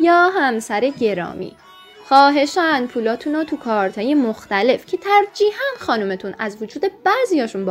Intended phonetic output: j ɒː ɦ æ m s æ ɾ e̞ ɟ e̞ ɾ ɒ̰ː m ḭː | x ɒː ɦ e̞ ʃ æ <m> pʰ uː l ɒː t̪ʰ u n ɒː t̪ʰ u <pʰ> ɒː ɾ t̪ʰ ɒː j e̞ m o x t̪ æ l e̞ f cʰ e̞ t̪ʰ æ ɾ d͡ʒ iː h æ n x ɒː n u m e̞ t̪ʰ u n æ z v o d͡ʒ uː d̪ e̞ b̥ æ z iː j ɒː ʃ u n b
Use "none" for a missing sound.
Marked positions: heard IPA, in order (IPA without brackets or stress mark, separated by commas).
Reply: n, kʰ